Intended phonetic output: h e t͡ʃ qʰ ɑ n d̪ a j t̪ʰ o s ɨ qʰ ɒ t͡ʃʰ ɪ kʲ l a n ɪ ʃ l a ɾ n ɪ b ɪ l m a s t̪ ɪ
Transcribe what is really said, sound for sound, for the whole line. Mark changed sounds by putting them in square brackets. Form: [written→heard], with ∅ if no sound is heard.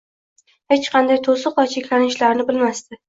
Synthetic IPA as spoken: h e t͡ʃ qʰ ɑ n d̪ a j t̪ʰ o s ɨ [qʰ→q] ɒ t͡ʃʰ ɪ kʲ l a n ɪ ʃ l a ɾ n ɪ b ɪ l m a s t̪ ɪ